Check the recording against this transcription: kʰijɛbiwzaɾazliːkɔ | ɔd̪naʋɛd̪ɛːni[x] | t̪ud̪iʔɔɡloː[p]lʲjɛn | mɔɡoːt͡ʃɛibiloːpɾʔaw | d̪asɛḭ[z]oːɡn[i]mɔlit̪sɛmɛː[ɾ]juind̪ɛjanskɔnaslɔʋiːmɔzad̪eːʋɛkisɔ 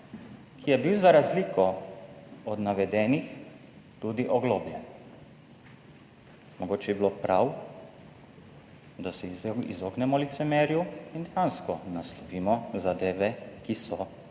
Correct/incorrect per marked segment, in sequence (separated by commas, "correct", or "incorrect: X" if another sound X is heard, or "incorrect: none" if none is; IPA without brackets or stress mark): correct, incorrect: b, correct, incorrect: ɛ, correct